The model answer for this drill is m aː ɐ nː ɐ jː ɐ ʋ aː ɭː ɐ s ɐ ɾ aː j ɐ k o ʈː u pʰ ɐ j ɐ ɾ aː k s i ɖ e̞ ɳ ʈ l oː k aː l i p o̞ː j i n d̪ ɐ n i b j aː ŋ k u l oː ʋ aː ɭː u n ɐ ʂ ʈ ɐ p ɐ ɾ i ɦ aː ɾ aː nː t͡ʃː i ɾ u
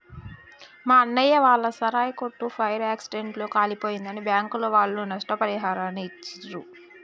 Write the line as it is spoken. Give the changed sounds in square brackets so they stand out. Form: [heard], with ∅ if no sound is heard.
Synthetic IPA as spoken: m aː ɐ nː ɐ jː ɐ ʋ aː ɭː ɐ s ɐ ɾ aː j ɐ k o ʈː u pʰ ɐ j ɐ ɾ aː k s i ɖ e̞ ɳ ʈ l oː k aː l i p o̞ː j i n d̪ ɐ n i b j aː ŋ k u l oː ʋ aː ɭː u n ɐ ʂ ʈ ɐ p ɐ ɾ i ɦ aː ɾ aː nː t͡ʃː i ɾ u